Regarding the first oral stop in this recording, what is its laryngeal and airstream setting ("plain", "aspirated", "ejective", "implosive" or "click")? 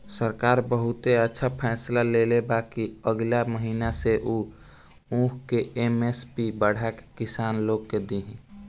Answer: plain